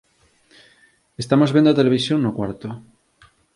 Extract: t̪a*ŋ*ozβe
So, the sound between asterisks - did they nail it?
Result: no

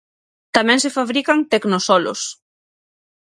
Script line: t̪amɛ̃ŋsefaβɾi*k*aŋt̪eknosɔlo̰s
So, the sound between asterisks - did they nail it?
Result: yes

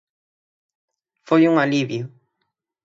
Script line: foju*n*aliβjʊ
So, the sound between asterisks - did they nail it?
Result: no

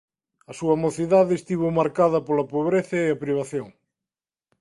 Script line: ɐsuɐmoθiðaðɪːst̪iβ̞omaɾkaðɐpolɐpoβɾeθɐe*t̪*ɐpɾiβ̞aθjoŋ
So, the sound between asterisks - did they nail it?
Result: no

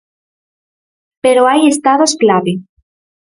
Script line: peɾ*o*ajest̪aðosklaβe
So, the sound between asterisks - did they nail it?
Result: yes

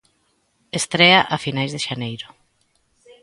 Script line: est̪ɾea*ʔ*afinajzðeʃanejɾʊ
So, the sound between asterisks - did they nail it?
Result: yes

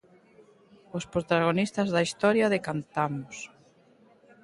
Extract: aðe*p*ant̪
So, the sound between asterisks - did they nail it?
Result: no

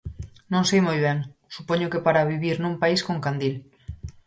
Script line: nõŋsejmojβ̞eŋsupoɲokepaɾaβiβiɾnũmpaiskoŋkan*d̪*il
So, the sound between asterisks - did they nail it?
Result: yes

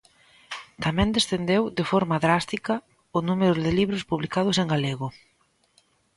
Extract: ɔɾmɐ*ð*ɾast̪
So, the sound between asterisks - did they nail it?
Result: yes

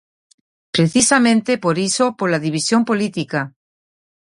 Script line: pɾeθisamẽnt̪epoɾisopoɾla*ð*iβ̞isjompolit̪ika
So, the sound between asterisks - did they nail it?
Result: yes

